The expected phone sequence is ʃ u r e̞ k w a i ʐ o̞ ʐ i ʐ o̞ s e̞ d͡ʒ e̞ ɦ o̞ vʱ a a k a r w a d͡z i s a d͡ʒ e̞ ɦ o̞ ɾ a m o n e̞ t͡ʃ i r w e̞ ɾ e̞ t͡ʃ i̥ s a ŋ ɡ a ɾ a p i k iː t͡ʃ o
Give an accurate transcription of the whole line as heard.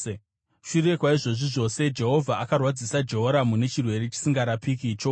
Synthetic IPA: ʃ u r e̞ k w a i ʐ o̞ ʐ i ʐ o̞ s e̞ d͡ʒ e̞ ɦ o̞ vʱ a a k a r w a d͡z i s a d͡ʒ e̞ ɦ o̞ ɾ a m u n e̞ t͡ʃ i r w e̞ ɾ e̞ t͡ʃ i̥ s i ŋ ɡ a ɾ a p i k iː t͡ʃ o